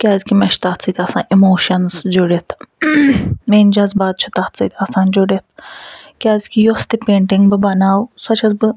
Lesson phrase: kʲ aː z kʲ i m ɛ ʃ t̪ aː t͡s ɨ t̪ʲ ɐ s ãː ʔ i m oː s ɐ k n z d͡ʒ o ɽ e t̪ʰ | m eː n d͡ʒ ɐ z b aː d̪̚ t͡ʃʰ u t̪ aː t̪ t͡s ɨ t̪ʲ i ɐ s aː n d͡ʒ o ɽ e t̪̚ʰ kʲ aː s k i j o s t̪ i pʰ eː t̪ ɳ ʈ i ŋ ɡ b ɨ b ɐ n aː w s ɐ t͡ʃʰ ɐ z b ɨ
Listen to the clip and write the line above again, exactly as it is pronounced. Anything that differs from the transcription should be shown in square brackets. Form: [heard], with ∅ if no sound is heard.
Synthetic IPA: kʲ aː z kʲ i m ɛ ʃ t̪ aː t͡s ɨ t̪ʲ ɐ s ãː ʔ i m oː [ʃ] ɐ [∅] n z d͡ʒ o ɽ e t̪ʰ | m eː n d͡ʒ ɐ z b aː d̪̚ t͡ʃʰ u t̪ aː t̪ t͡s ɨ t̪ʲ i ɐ s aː n d͡ʒ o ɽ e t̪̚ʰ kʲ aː [z] k i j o s t̪ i [p] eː [∅] ɳ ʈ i ŋ ɡ b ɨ b ɐ n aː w s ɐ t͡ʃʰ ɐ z b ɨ